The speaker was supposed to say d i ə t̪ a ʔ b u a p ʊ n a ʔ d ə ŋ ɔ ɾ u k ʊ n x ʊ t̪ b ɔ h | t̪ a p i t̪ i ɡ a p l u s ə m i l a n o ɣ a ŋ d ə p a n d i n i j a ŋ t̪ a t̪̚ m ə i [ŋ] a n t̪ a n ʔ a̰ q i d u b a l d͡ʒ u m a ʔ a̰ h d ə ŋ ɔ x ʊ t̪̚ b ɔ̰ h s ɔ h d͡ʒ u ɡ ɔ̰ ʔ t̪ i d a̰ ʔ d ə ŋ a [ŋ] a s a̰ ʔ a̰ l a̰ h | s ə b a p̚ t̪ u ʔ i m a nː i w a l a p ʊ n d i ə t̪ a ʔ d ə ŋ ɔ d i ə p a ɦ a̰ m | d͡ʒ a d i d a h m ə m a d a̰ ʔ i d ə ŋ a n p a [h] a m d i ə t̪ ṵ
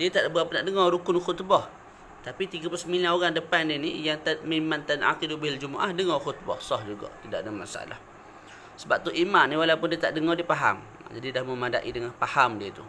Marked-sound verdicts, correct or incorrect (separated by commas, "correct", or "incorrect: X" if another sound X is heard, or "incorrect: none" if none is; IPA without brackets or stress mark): incorrect: m, incorrect: m, correct